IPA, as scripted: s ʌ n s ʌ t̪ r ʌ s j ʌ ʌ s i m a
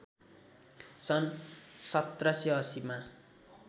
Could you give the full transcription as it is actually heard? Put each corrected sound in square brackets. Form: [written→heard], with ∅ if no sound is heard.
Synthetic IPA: s ʌ n s ʌ t̪ r ʌ s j ʌ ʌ s i m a

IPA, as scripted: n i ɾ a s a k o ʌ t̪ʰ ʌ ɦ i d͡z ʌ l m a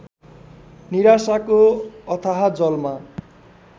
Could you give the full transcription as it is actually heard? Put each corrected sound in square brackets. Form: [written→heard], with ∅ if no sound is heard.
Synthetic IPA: n i ɾ a s a k o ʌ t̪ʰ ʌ ɦ [i→a] d͡z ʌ l m a

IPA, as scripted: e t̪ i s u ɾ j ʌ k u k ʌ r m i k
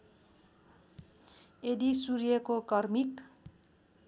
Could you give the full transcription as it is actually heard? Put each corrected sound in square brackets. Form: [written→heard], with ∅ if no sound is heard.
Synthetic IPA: e [t̪→d̪] i s u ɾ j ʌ k [u→o] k ʌ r m i k

